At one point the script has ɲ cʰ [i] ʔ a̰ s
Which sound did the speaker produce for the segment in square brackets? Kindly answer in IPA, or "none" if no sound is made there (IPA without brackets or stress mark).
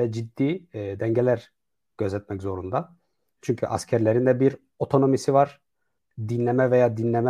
y